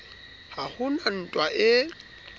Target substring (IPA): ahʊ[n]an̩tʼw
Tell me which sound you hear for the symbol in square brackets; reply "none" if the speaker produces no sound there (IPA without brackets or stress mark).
n